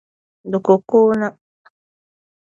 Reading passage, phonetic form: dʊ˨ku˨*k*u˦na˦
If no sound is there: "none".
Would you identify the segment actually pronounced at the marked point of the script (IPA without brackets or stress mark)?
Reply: k